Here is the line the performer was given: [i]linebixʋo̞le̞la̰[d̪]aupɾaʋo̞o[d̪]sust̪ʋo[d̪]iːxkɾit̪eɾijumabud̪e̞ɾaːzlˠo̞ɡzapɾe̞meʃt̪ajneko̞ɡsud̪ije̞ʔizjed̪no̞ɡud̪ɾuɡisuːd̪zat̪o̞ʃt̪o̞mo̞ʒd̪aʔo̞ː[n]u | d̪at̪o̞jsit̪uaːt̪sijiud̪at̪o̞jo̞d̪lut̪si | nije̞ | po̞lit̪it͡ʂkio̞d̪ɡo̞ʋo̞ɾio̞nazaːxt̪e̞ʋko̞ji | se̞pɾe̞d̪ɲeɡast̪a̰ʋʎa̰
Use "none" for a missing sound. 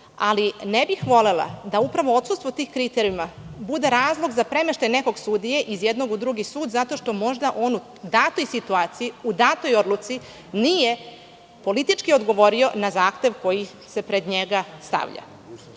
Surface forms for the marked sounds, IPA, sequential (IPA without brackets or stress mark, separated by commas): a, d̪, t̪, t̪, n